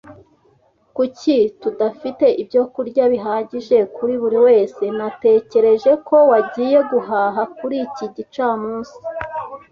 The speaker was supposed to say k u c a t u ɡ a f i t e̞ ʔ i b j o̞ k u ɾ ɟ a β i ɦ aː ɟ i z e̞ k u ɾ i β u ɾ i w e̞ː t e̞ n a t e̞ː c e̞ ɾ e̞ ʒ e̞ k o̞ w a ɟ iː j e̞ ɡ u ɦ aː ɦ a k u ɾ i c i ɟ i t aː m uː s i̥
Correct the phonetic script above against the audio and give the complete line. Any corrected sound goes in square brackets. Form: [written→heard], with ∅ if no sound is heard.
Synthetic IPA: k u c [a→i] t u [ɡ→d] a f i t e̞ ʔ i b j o̞ k u ɾ ɟ a β i ɦ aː ɟ i [z→ʒ] e̞ k u ɾ i β u ɾ i w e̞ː [t→s] e̞ n a t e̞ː c e̞ ɾ e̞ ʒ e̞ k o̞ w a ɟ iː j e̞ ɡ u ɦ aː ɦ a k u ɾ i c i ɟ i [t→t͡ʃ] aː m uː s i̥